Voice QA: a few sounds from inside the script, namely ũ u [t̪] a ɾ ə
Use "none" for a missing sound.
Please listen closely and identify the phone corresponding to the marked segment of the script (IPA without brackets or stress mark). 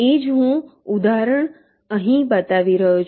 d̪